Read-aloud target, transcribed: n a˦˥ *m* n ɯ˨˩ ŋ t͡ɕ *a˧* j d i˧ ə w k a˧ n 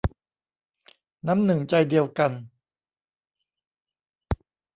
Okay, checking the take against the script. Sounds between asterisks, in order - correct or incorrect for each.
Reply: correct, correct

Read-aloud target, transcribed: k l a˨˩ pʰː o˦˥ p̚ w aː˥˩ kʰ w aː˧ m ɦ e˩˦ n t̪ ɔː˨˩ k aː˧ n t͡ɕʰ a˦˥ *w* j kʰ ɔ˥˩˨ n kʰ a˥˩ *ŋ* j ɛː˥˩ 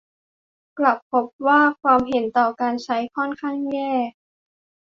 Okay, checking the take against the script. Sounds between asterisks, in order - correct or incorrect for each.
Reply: incorrect, correct

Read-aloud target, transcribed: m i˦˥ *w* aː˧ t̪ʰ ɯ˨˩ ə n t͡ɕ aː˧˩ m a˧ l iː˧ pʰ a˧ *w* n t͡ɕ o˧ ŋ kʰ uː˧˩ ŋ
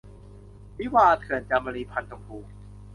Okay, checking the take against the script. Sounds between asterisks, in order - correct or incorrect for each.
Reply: correct, incorrect

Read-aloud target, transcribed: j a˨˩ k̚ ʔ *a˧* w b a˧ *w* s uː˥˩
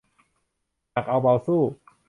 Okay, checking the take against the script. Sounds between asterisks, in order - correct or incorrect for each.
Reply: correct, correct

